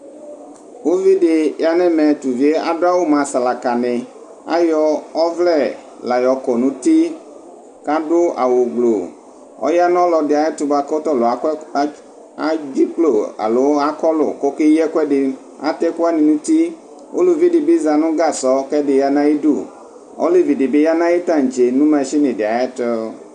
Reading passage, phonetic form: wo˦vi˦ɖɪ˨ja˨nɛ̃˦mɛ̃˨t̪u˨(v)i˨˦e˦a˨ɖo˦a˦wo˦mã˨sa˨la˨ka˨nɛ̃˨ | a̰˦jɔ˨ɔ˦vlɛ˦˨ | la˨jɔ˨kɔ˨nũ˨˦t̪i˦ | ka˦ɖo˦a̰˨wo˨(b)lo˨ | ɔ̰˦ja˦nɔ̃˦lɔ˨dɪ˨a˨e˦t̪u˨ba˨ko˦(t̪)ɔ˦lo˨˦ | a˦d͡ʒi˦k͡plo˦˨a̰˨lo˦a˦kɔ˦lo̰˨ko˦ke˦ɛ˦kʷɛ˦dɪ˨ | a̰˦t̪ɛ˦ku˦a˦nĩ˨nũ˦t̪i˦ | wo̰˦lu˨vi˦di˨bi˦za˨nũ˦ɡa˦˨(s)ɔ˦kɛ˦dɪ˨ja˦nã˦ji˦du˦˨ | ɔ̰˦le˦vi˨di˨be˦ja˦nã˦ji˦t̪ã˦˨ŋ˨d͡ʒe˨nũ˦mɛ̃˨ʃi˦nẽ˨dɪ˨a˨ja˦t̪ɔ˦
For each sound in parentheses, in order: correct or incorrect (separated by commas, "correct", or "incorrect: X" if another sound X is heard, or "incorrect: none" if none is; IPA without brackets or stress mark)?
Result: correct, incorrect: ɡ͡b, correct, correct